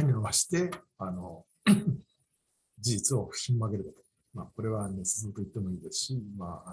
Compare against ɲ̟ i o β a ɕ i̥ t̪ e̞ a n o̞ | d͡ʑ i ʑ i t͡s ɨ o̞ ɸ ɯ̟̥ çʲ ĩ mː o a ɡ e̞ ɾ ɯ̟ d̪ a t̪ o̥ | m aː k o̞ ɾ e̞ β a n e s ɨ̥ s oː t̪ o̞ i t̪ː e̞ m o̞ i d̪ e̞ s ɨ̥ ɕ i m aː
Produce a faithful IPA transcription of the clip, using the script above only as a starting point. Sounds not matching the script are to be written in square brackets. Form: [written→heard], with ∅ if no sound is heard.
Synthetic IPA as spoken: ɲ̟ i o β a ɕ i̥ t̪ e̞ a n o̞ | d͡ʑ i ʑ i t͡s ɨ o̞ ɸ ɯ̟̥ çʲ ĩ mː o a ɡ e̞ ɾ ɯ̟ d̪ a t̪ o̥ | m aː k o̞ ɾ e̞ β a n e s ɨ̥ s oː t̪ o̞ i t̪ː e̞ m o̞ [i→iː] d̪ e̞ s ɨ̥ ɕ i m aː